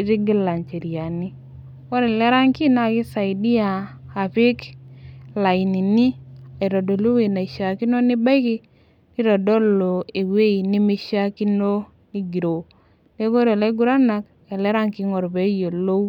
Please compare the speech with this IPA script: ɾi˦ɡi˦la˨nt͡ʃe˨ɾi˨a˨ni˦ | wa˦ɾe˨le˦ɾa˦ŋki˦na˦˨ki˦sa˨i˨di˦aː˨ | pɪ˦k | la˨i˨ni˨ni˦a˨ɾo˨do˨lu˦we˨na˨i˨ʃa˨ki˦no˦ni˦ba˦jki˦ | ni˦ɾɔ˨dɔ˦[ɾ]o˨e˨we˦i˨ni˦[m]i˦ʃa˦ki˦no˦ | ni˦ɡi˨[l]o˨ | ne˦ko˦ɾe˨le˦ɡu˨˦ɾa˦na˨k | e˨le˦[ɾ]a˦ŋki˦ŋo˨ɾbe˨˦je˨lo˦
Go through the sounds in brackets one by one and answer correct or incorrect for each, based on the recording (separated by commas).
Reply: incorrect, correct, incorrect, correct